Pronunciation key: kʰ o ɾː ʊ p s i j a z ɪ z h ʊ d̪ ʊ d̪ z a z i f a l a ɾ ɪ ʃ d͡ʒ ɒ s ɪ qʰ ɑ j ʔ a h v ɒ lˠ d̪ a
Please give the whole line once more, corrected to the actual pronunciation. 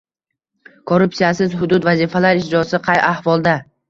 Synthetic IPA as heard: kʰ o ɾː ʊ p s i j a s ɪ z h ʊ d̪ ʊ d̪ v a z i f a l a ɾ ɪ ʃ d͡ʒ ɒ s ɪ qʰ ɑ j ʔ a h v ɒ lˠ d̪ a